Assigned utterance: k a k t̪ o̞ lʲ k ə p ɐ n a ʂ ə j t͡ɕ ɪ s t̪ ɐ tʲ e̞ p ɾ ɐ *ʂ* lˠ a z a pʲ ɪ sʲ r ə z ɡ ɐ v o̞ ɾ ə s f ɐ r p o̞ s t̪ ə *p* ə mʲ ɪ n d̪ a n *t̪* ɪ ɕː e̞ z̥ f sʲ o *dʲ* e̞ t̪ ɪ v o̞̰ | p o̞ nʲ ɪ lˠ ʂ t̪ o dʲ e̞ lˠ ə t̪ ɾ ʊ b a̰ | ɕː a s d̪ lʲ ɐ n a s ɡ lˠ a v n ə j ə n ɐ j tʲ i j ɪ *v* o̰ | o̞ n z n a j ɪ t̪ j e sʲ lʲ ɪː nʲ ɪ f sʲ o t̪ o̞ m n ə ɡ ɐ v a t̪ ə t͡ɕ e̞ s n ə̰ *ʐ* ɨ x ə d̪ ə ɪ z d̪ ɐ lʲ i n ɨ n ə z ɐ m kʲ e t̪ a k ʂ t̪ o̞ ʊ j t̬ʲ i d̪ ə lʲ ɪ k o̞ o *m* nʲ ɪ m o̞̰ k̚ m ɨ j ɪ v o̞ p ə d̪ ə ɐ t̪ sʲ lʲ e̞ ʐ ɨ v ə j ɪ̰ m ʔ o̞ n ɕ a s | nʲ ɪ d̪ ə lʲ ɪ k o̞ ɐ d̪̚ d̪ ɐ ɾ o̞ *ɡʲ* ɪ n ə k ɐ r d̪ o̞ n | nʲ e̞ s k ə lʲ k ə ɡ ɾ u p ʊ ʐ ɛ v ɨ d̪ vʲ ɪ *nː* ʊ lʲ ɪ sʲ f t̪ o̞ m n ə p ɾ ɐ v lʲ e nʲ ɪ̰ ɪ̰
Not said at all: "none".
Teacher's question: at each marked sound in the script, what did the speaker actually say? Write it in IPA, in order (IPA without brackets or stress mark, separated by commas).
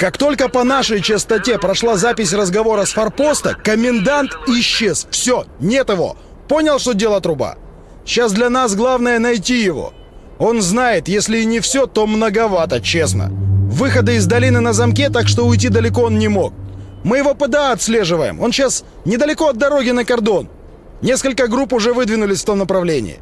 ʂ, k, t̪, nʲ, v, v, n, ɡʲ, n